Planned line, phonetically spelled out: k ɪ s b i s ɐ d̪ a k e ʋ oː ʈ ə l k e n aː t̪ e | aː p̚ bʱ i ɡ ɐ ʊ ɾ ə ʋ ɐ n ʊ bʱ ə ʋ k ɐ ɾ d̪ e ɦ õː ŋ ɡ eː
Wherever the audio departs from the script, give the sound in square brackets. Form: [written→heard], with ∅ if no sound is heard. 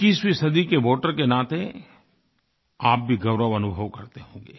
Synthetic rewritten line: k ɪ s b i s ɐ d̪ [a→i] k e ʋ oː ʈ ə [l→ɾ] k e n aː t̪ e | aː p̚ bʱ i ɡ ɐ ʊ ɾ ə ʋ ɐ n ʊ bʱ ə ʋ k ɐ ɾ [d̪→t̪] e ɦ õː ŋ ɡ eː

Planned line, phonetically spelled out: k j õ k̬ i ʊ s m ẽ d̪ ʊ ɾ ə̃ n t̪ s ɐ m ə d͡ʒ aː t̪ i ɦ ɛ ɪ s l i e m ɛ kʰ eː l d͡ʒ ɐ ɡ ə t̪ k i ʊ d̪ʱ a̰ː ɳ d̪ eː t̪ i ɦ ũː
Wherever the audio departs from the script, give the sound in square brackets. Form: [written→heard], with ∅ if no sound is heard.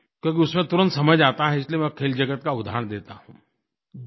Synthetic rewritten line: k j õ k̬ i ʊ s m ẽ [d̪→t̪] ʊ ɾ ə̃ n t̪ s ɐ m ə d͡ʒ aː t̪ [i→a] ɦ ɛ ɪ s l i e m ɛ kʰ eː l d͡ʒ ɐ ɡ ə t̪ k [i→a] ʊ d̪ʱ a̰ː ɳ d̪ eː t̪ [i→a] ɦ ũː

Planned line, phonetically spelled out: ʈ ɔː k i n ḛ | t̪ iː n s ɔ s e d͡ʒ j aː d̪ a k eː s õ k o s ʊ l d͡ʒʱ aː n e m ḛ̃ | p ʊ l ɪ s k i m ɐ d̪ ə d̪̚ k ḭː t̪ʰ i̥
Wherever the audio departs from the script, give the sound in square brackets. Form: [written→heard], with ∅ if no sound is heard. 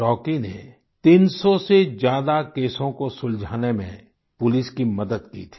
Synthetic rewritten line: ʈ ɔː k i n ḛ | t̪ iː n s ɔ s e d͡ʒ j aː d̪ a k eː s õ k o s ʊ l d͡ʒʱ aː n e m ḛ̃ | p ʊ l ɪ s k i m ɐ d̪ ə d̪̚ k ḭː t̪ʰ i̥

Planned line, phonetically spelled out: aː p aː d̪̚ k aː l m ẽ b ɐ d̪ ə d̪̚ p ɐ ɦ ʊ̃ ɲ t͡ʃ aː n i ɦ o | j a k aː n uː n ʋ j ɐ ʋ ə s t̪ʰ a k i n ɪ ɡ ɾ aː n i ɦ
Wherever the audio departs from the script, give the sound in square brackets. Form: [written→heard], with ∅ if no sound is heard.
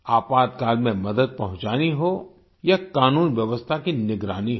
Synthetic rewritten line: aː p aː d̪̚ k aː l m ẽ [b→m] ɐ d̪ ə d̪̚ p ɐ ɦ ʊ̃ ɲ t͡ʃ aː n i ɦ o | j a k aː n uː n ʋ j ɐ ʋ ə s t̪ʰ a k i n ɪ ɡ ɾ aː n i ɦ

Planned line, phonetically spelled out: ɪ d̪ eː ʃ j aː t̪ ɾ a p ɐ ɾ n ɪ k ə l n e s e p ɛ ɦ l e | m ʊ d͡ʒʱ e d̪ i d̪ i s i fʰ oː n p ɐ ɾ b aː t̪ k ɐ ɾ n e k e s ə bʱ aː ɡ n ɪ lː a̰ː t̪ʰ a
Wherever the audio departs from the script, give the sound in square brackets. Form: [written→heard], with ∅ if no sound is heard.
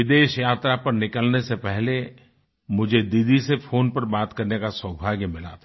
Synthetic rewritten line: ɪ d̪ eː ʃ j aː t̪ ɾ a p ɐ ɾ n ɪ k ə l n e s e p ɛ ɦ l e | m ʊ d͡ʒʱ e d̪ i d̪ i s [i→e] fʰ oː n p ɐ ɾ b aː t̪ k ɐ ɾ n e k [e→a] s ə bʱ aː ɡ [n→m] ɪ [lː→l] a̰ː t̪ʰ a

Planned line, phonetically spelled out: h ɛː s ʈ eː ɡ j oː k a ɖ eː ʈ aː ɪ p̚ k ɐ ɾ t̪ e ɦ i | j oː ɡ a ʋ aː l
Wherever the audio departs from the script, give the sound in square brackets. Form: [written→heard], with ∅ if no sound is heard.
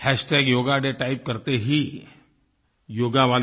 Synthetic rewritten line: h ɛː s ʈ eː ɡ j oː [k→ɡ] a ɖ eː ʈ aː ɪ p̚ k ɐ ɾ t̪ e ɦ i | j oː ɡ a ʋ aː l

